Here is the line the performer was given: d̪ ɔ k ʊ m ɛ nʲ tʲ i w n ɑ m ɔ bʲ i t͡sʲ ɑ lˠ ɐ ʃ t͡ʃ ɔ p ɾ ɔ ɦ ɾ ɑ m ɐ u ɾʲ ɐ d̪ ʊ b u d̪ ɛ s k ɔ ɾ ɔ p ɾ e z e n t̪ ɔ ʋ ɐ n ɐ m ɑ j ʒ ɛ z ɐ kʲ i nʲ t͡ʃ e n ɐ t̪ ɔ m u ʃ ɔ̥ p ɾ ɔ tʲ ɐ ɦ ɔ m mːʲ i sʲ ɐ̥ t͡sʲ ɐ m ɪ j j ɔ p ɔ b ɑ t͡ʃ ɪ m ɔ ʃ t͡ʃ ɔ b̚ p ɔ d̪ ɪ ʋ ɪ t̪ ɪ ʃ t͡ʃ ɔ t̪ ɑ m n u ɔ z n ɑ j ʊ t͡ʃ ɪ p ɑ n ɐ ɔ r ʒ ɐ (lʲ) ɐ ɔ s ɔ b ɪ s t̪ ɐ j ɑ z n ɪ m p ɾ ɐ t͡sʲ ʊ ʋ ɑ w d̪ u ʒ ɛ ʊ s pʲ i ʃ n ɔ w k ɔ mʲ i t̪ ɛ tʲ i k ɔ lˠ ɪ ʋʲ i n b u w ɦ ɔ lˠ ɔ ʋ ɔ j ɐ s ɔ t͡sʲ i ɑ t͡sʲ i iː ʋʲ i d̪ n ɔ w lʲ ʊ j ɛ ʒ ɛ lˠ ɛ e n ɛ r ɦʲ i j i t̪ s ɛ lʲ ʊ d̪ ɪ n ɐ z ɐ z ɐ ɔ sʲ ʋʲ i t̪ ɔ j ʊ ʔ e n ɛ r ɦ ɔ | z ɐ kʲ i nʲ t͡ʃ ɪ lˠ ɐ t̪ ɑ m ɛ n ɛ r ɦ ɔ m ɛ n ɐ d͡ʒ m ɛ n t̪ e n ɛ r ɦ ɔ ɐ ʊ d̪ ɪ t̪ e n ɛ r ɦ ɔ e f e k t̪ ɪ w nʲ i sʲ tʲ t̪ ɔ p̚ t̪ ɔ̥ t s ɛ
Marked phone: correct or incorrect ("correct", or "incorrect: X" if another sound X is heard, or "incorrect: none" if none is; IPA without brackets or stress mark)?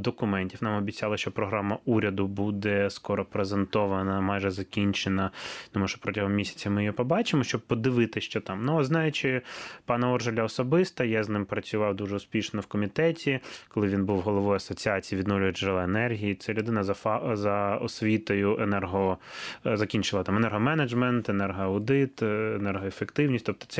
correct